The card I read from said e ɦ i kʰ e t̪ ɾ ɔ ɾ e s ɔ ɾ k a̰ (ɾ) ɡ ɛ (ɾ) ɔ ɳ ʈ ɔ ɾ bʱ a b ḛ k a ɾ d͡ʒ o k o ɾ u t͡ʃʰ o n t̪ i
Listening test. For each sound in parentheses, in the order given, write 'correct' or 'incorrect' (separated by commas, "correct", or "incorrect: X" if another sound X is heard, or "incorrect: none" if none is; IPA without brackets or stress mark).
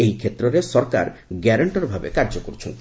correct, correct